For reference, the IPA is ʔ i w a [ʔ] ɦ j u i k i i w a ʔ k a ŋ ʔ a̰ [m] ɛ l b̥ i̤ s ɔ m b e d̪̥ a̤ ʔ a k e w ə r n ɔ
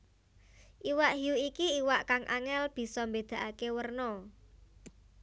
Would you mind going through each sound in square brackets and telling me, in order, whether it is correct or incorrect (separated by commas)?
correct, incorrect